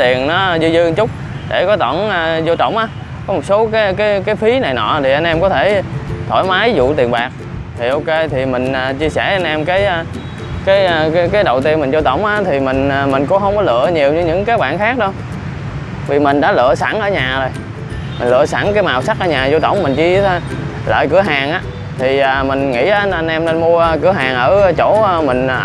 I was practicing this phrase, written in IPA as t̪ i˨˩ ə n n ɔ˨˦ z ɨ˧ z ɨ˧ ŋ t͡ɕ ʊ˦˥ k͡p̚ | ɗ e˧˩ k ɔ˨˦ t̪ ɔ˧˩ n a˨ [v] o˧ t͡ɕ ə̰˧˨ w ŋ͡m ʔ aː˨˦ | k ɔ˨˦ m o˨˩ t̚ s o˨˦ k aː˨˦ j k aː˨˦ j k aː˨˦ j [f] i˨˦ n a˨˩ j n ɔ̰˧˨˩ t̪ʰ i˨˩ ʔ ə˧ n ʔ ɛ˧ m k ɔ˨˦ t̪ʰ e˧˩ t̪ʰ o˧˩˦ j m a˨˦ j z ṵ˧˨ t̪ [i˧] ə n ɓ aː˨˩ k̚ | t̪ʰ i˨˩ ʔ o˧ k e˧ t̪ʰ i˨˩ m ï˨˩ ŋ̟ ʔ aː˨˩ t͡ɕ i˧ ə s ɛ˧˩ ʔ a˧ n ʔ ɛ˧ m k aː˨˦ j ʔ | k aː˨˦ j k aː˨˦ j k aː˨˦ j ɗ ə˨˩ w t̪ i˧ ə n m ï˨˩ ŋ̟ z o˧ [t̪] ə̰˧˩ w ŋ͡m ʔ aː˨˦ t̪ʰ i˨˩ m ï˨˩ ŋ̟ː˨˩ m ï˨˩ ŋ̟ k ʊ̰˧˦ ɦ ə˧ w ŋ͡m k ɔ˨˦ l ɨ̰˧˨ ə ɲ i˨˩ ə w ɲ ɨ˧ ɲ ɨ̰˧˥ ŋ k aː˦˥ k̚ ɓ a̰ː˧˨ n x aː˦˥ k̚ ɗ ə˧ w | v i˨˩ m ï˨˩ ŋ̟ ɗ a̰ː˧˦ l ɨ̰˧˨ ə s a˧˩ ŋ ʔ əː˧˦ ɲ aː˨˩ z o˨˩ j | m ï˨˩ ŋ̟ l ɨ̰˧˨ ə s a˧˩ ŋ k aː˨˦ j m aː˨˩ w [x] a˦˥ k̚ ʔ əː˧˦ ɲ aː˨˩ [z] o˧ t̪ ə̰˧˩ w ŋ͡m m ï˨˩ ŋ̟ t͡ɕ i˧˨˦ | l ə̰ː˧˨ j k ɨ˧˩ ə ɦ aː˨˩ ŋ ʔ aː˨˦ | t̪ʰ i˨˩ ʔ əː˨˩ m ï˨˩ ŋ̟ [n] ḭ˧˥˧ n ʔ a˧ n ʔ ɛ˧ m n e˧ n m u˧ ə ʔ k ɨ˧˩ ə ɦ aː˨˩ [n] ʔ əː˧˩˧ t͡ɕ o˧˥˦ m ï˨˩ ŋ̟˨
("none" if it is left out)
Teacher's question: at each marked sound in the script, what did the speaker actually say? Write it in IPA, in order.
z, f, i˨˩, t̪, s, z, ŋ, ŋ

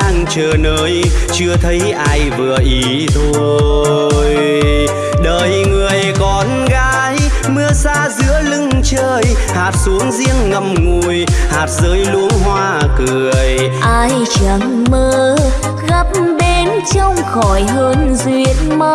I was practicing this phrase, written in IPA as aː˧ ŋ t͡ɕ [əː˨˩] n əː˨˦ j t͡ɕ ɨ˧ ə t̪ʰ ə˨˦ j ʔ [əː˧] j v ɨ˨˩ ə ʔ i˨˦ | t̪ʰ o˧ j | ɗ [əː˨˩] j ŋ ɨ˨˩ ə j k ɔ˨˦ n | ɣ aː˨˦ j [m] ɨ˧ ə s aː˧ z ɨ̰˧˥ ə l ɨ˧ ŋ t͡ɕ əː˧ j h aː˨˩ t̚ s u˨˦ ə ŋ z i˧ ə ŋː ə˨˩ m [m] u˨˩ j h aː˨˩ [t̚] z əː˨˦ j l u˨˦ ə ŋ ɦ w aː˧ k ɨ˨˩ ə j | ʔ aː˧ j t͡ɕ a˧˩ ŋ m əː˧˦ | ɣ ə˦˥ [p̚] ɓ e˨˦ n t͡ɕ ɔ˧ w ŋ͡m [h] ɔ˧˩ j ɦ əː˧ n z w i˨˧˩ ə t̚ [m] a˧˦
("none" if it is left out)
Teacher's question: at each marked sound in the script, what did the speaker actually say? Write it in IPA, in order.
əː˨˩, aː˧, əː˨˩, m, ŋ, t̚, p̚, x, m

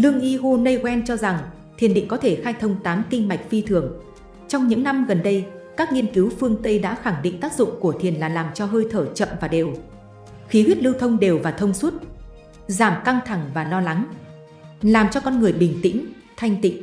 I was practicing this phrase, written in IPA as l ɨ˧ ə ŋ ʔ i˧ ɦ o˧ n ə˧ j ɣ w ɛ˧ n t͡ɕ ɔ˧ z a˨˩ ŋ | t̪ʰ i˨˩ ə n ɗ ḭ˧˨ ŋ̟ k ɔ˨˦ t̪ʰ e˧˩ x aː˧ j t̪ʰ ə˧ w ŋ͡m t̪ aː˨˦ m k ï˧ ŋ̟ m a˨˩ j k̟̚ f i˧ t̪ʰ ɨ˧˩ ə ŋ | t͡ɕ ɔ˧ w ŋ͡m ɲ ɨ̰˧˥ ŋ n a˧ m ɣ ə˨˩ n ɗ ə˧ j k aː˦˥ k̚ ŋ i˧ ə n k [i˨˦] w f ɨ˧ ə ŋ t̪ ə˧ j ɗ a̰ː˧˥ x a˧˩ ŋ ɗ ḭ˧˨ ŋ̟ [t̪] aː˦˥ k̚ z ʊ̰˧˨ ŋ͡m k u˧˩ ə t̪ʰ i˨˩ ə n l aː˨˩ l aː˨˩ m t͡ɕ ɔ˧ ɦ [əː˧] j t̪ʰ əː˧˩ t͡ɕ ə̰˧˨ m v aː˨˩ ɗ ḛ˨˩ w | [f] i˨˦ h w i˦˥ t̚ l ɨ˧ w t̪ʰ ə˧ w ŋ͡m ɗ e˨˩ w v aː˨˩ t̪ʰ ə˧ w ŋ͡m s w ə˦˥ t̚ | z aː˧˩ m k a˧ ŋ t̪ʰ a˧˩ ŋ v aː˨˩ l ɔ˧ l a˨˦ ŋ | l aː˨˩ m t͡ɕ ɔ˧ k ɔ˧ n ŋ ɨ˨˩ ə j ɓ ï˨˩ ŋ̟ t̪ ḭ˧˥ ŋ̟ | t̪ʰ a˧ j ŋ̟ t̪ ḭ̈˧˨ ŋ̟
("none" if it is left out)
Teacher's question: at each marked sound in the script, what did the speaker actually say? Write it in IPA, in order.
i˨˦, t̪, əː˧, x

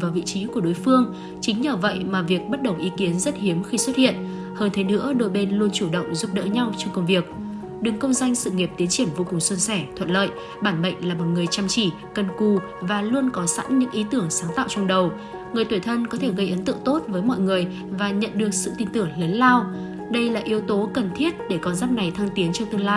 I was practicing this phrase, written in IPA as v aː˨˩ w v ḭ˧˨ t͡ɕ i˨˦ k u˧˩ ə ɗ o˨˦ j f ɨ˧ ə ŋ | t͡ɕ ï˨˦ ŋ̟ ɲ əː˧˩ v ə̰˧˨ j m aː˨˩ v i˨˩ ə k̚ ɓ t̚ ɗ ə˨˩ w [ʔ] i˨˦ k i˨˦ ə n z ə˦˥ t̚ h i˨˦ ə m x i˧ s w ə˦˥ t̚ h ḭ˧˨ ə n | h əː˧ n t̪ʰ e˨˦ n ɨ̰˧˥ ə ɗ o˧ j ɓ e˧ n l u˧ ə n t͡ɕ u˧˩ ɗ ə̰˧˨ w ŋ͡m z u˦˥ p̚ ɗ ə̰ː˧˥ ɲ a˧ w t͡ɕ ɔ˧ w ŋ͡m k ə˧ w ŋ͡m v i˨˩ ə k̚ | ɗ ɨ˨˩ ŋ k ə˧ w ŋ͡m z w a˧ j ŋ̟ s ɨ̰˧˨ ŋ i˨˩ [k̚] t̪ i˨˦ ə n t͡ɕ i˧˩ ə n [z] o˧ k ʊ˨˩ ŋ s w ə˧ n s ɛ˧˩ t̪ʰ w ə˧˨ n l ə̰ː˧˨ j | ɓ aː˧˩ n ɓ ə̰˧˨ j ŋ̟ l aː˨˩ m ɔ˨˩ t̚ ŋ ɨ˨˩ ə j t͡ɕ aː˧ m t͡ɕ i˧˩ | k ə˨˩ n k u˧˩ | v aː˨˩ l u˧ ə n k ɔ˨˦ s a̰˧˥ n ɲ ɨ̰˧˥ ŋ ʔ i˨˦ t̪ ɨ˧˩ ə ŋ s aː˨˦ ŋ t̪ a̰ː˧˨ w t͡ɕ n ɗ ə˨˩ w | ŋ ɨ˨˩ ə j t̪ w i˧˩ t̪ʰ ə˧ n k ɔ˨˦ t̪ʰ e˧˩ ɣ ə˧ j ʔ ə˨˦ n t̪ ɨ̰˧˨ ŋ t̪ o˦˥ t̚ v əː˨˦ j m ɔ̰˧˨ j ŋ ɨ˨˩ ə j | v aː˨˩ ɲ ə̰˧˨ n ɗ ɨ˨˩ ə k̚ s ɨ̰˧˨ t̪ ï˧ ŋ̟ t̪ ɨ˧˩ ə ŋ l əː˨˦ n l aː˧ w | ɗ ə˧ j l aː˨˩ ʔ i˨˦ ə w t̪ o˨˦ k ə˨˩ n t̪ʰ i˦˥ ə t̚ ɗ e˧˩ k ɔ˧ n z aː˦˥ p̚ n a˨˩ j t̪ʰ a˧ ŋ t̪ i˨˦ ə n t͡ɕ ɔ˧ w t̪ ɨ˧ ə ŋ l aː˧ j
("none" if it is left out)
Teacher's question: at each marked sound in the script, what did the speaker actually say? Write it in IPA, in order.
ʔ, p̚, v

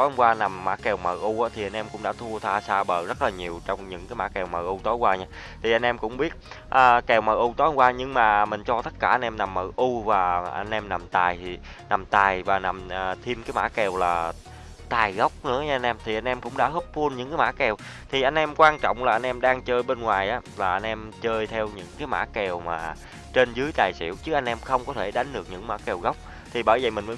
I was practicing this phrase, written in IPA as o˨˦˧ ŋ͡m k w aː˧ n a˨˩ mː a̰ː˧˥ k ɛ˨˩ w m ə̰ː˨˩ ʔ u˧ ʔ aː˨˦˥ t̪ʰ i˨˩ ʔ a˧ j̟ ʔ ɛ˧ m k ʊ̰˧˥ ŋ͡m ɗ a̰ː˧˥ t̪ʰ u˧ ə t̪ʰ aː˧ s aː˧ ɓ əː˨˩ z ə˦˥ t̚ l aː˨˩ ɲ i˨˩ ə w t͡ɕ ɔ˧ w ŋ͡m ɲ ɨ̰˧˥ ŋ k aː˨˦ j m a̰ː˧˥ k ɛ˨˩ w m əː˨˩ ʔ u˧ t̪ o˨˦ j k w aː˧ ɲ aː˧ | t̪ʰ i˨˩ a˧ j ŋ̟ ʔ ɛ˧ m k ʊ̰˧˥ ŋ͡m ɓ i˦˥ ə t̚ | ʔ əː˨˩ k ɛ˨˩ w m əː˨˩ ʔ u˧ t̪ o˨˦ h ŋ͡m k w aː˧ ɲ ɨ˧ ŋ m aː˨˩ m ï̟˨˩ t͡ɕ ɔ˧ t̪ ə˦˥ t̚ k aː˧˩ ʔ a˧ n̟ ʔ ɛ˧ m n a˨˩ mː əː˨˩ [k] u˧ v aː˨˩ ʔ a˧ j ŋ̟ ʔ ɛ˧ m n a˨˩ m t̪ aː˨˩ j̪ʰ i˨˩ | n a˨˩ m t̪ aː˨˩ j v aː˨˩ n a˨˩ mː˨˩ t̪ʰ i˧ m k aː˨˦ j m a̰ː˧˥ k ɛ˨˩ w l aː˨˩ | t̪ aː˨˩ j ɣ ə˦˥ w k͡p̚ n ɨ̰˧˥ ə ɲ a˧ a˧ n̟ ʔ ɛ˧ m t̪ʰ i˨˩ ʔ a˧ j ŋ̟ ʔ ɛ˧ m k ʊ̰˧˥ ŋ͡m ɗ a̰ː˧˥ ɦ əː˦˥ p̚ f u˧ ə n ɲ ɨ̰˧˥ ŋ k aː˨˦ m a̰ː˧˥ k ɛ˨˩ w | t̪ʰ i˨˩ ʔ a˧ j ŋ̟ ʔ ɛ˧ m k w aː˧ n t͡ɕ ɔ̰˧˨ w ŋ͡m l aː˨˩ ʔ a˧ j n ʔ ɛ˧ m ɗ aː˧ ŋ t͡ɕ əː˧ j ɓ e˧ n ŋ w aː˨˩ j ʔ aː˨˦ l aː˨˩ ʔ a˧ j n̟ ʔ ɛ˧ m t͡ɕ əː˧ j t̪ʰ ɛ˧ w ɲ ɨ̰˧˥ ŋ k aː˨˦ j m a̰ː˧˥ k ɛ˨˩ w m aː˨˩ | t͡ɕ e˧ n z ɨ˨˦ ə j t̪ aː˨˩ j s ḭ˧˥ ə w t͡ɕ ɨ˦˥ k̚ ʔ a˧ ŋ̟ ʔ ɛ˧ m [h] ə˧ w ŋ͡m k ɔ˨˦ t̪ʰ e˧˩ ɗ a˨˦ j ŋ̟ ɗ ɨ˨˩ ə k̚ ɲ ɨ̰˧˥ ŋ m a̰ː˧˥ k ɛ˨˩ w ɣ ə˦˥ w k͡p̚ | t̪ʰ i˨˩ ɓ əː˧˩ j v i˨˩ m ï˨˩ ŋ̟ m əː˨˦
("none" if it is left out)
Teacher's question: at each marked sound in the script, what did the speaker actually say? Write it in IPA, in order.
ʔ, x

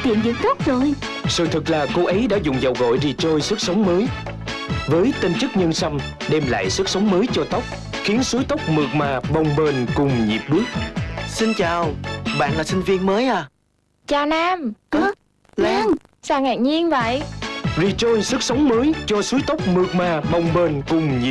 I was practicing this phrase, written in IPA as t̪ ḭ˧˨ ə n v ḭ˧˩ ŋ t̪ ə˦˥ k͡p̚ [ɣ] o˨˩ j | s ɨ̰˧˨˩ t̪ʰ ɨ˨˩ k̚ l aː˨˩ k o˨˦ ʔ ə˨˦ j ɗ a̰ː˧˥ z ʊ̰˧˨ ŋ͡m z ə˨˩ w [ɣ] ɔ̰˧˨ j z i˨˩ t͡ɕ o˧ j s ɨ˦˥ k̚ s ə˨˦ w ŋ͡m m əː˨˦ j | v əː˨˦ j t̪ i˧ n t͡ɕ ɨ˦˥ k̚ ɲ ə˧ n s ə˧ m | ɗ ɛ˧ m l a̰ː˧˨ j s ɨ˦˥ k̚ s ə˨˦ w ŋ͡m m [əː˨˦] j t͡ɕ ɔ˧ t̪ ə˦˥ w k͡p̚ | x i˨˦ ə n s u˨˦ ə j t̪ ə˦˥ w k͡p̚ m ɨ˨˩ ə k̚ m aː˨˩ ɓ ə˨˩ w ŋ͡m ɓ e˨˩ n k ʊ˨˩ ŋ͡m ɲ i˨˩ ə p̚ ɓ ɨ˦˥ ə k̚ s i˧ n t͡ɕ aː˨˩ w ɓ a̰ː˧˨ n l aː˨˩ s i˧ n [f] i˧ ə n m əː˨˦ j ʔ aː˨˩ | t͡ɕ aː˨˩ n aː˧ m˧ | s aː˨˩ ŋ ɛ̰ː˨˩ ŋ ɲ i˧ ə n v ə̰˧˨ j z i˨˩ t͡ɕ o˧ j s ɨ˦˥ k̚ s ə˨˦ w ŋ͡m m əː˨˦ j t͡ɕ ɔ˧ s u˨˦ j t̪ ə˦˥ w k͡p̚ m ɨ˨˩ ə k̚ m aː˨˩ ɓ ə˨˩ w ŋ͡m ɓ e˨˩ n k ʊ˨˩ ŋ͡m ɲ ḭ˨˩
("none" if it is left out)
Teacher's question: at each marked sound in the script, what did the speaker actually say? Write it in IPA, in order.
z, ɣ, əː˨˦, v

